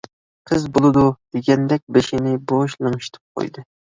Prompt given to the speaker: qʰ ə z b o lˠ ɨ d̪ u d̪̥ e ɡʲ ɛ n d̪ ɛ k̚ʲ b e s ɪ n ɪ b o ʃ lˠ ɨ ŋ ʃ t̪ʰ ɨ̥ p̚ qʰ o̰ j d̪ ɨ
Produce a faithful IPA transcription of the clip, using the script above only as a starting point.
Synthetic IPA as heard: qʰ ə z b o lˠ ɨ d̪ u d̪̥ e ɡʲ ɛ n d̪ ɛ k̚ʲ b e ʃ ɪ n ɪ b o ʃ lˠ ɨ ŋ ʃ t̪ʰ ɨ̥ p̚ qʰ o̰ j d̪ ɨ